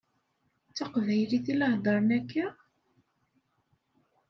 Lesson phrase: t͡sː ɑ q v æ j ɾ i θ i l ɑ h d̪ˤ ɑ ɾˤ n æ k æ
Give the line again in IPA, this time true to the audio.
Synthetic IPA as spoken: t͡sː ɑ q v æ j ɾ i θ i l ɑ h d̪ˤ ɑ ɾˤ n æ k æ